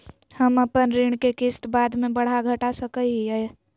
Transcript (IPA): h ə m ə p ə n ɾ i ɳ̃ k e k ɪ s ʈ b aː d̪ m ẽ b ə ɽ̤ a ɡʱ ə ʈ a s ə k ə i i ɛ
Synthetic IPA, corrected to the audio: h ə m ə p ə n ɾ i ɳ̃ k e k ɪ s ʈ b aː d̪ m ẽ b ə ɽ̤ a ɡʱ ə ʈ a s ə k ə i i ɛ